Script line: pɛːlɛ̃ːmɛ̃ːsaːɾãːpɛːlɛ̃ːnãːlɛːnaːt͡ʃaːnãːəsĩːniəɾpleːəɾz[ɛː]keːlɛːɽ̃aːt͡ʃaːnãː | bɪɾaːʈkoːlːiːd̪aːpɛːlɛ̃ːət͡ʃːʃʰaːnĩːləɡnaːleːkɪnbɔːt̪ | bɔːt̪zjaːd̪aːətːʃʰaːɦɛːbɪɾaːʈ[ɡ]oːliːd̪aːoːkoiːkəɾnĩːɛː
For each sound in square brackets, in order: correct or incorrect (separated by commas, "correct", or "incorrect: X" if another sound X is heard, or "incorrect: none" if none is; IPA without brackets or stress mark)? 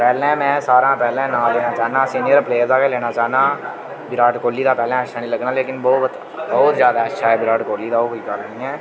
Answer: incorrect: aː, incorrect: k